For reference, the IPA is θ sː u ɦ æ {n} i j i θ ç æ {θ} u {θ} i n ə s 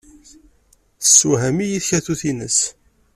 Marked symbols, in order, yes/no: no, yes, yes

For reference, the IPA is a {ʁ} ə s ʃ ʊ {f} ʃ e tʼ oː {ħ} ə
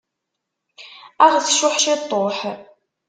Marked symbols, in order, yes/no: yes, no, yes

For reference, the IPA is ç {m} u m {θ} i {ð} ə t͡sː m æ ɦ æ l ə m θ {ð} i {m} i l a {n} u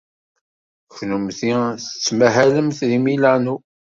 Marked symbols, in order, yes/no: no, yes, no, yes, yes, yes

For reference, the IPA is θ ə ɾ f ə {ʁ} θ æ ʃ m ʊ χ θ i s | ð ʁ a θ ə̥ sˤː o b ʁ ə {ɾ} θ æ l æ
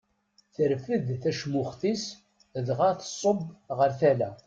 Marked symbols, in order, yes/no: no, yes

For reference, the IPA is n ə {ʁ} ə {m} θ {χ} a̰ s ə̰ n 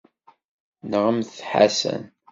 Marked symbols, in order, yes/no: yes, yes, no

